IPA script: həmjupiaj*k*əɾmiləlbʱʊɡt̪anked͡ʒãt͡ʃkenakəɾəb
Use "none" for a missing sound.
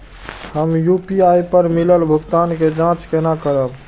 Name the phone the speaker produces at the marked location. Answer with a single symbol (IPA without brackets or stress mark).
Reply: p